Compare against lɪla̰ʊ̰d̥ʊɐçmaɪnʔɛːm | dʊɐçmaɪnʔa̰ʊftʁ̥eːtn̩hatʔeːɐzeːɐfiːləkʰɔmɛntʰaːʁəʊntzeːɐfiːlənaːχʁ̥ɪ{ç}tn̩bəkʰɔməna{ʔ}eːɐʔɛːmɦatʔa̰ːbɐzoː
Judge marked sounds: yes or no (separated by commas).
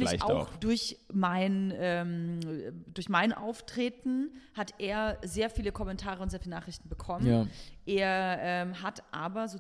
yes, yes